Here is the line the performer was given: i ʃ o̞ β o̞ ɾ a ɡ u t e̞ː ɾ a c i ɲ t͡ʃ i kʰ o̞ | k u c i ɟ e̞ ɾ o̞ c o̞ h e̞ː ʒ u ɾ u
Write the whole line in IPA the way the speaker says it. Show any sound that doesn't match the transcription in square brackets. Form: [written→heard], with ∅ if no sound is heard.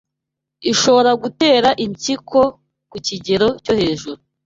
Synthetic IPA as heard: i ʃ o̞ β o̞ ɾ a ɡ u t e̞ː ɾ a [c→ʔ] i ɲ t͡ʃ i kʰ o̞ | k u c i ɟ e̞ ɾ o̞ c o̞ h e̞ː ʒ u ɾ u